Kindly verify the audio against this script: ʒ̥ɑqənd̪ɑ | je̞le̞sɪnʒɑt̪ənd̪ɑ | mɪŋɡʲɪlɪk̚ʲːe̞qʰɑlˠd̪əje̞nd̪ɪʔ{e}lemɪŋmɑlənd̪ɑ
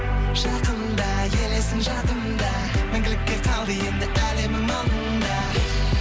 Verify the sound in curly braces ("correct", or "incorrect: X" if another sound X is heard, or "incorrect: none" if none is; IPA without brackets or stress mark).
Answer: incorrect: æ